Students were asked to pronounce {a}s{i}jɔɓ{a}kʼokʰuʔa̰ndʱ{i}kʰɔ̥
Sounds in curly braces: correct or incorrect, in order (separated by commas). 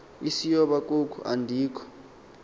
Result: incorrect, correct, correct, incorrect